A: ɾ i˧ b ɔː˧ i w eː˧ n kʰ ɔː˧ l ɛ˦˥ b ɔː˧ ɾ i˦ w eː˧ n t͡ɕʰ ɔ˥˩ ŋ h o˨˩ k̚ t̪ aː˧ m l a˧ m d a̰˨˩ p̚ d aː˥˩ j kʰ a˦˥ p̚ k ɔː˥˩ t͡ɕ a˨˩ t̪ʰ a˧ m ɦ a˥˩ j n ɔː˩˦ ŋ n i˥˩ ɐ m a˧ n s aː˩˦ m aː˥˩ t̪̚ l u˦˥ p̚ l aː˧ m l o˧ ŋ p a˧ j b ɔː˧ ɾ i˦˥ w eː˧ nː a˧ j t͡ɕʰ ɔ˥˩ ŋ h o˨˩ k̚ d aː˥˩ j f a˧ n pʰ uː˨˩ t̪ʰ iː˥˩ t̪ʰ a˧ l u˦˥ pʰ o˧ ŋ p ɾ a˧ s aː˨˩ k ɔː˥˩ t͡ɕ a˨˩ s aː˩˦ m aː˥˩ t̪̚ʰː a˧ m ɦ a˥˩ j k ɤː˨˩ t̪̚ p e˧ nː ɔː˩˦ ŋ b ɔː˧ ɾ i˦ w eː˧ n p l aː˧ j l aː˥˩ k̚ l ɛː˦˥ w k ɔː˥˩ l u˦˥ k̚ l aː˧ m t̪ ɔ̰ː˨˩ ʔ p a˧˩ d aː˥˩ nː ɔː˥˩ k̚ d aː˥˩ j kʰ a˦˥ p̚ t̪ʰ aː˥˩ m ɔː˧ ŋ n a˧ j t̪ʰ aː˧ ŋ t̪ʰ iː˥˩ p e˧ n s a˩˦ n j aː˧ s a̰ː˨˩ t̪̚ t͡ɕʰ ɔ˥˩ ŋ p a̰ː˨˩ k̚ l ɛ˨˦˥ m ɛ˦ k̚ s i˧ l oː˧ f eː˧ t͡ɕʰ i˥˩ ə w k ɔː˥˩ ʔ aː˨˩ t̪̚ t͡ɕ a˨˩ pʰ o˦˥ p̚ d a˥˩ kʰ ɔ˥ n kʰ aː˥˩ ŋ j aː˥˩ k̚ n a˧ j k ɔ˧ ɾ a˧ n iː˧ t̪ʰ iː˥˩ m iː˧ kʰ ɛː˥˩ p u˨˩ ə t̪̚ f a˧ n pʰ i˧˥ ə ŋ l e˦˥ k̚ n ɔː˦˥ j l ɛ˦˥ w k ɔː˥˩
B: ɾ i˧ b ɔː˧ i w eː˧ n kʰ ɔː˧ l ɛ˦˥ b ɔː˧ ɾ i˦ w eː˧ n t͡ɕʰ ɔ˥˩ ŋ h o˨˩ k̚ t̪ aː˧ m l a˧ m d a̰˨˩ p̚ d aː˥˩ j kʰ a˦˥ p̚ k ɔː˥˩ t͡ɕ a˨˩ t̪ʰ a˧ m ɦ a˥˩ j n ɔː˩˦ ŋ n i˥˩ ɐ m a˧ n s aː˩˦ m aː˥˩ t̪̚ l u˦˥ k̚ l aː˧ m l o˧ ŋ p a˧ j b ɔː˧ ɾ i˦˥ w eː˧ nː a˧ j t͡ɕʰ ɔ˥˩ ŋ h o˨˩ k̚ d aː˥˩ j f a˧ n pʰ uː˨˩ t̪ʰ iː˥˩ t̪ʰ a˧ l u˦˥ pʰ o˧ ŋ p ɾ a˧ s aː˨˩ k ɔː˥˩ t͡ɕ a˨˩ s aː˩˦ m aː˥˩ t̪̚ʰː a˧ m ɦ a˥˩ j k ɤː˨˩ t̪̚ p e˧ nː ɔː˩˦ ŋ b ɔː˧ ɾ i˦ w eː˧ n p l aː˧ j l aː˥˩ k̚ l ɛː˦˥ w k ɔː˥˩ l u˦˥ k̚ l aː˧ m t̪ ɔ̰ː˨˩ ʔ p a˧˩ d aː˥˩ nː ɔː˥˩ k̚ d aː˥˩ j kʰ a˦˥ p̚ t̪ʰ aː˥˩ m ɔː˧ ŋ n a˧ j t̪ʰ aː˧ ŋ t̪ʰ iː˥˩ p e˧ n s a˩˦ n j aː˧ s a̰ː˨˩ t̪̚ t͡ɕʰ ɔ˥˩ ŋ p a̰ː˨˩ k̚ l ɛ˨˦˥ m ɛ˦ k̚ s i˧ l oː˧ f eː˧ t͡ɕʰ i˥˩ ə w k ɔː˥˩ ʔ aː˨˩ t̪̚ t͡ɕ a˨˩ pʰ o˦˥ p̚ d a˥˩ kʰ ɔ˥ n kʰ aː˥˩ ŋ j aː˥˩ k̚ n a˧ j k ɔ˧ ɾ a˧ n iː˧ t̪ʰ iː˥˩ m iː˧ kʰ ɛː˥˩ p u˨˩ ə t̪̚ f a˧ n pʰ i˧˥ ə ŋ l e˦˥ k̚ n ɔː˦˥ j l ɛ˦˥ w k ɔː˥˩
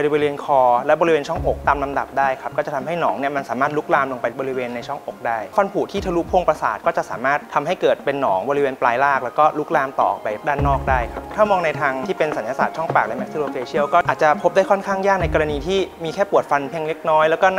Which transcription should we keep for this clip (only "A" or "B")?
B